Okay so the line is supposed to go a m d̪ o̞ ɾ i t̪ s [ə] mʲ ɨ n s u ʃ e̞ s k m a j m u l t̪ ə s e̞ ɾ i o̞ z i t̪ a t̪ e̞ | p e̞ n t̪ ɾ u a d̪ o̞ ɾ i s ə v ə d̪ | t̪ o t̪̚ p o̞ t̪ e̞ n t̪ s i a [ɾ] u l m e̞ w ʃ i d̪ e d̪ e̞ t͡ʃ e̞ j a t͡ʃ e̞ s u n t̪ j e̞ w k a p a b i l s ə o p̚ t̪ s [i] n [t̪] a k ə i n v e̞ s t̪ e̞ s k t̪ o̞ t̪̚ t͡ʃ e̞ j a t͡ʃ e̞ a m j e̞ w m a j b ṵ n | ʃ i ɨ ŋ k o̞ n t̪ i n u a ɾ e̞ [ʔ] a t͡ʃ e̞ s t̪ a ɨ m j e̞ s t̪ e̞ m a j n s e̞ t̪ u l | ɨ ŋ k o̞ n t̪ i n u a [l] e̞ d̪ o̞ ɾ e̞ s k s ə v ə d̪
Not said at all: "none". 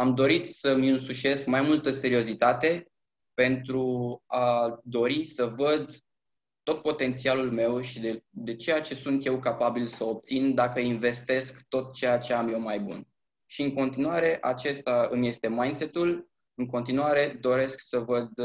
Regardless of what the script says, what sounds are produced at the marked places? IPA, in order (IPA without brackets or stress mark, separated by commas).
ə, l, i, d̪, ʔ, ɾ